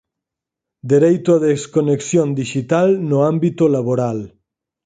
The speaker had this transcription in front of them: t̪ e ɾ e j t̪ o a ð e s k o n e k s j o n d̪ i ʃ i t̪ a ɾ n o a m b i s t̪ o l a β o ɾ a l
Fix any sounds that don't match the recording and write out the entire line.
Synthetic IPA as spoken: d̪ e ɾ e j t̪ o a ð e s k o n e k s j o n d̪ i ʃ i t̪ a l n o a m b i t̪ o l a β o ɾ a l